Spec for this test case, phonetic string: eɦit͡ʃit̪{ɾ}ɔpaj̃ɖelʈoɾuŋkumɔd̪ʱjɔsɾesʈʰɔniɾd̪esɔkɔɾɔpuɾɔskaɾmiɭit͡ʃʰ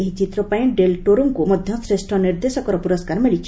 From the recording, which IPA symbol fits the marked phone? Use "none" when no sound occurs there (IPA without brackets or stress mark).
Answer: ɾ